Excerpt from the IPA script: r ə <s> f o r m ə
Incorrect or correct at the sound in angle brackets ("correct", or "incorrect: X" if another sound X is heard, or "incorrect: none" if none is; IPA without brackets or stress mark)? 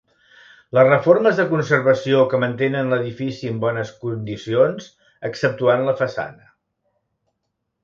incorrect: none